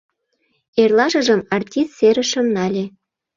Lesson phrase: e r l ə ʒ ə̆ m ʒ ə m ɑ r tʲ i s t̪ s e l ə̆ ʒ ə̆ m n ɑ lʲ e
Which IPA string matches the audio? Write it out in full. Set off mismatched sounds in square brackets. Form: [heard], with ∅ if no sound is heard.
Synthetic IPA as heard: e r l [ɑ] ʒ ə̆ [∅] ʒ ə m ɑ r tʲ i s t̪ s e [ɾ] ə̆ [ʃ] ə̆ m n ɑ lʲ e